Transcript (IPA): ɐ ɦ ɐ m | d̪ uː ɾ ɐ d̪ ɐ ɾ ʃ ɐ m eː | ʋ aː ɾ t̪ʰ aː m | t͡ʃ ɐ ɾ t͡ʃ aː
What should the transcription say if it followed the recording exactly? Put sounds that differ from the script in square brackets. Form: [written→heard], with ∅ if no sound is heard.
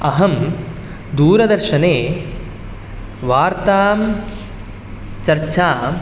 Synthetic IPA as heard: ɐ ɦ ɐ m | d̪ uː ɾ ɐ d̪ ɐ ɾ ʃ ɐ [m→n] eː | ʋ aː ɾ [t̪ʰ→t̪] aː m | t͡ʃ ɐ ɾ t͡ʃ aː